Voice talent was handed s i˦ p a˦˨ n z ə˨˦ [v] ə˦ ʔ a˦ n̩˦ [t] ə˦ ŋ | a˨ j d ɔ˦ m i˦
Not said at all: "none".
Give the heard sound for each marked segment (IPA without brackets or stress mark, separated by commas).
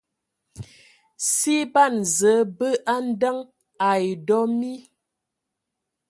b, d